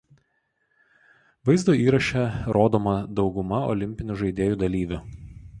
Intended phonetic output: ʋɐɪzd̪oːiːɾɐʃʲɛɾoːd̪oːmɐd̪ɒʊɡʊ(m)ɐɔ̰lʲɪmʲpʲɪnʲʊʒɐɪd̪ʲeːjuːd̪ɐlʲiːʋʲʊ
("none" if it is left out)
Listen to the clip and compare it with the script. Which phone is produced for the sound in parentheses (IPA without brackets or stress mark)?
m